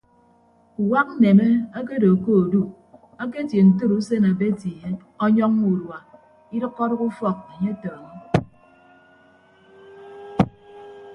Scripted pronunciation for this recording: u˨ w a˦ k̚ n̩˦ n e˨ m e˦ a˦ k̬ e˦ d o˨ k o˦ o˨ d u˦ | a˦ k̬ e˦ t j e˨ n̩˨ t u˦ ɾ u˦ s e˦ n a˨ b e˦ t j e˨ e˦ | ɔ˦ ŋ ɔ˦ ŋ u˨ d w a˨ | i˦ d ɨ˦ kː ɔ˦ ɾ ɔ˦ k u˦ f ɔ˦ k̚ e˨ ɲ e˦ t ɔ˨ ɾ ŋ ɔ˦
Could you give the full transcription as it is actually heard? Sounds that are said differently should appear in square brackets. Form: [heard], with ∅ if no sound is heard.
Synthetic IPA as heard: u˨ w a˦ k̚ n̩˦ n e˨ m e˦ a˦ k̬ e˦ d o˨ k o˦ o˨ d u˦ | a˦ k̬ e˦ t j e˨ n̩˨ t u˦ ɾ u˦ s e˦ n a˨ b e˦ t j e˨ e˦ | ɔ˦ [ɲ] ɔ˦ ŋ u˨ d w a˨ | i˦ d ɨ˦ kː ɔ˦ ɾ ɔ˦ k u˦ f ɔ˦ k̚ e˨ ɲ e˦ t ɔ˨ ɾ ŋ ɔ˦